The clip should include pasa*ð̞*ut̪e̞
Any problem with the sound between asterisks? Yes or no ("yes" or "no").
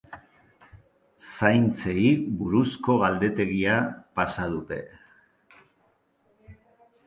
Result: no